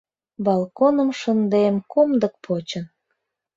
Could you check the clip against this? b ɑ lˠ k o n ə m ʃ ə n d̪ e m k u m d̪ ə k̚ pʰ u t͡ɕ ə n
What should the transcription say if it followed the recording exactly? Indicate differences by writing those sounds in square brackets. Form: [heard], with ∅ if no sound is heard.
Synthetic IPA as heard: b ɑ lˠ k o n ə m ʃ ə n d̪ e m k [o] m d̪ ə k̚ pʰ [o] t͡ɕ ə n